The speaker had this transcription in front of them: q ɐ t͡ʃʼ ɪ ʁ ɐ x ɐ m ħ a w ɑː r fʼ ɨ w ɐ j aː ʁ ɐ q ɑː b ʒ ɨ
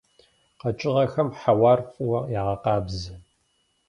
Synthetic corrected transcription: q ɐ t͡ʃʼ ɪ ʁ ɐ x ɐ m ħ a w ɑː r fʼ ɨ w ɐ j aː ʁ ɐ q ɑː b z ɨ